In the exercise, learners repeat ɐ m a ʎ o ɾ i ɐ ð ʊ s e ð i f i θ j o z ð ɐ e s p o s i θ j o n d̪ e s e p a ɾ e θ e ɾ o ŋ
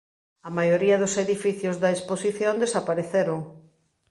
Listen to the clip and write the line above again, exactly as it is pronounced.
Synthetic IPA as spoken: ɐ m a j o ɾ i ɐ ð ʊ s e ð i f i θ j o z ð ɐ e s p o s i θ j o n d̪ e s a p a ɾ e θ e ɾ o ŋ